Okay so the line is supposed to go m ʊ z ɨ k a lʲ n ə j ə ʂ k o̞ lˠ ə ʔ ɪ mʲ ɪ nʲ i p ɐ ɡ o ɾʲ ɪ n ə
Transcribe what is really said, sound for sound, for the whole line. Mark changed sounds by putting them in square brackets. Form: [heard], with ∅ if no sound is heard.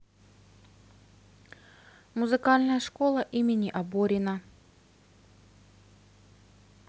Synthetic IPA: m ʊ z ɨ k a lʲ n ə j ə ʂ k o̞ lˠ ə ʔ [i] mʲ ɪ nʲ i [ʔ] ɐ [b] o ɾʲ ɪ n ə